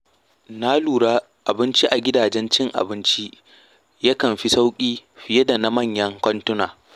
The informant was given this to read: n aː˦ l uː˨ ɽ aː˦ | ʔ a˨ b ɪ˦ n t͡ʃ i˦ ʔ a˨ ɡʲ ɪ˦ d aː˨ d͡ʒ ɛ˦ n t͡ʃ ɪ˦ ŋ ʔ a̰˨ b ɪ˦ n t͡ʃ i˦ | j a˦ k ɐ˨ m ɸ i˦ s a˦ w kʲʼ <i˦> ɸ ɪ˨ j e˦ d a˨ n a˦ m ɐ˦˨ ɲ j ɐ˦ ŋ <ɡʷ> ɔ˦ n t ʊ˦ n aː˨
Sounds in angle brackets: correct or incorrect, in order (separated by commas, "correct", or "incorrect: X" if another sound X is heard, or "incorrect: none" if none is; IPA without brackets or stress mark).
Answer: incorrect: iː˦, incorrect: kʷ